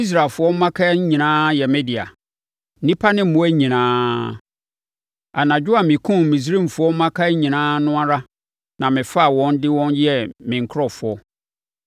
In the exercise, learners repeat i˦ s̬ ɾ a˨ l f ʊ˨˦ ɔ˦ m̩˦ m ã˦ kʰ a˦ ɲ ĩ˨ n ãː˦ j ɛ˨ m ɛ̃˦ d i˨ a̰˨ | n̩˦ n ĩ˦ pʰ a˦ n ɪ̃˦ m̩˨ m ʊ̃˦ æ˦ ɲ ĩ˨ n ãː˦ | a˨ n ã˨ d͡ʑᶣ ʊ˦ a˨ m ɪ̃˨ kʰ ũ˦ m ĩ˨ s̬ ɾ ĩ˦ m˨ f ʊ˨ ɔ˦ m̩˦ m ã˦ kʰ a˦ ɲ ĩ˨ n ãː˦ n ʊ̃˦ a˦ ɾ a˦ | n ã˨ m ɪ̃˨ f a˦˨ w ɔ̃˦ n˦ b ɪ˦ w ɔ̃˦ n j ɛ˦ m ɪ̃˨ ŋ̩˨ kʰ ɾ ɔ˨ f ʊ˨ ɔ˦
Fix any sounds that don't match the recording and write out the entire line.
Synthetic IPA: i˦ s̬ ɾ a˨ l f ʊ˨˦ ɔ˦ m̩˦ m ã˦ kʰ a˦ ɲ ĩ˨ n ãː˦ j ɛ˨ m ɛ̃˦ d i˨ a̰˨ | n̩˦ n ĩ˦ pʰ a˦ n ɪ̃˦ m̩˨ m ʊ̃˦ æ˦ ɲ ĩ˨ n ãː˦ | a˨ n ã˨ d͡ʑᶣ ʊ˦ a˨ m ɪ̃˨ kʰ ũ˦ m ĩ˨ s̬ ɾ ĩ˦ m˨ f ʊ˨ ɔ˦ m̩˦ m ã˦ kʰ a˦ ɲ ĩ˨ n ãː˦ n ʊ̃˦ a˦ ɾ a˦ | n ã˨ m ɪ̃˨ f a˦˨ w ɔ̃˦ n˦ d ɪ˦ w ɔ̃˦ n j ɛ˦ m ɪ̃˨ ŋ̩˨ kʰ ɾ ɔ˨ f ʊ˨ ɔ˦